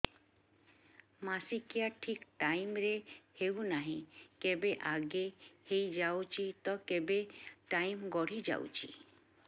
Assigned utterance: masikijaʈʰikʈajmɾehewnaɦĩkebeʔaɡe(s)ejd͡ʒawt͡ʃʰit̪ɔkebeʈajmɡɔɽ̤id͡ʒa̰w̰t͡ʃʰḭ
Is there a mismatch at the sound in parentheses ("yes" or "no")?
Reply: yes